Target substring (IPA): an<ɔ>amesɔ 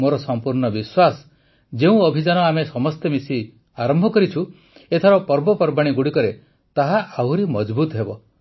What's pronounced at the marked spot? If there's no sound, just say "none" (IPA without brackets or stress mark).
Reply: ɔ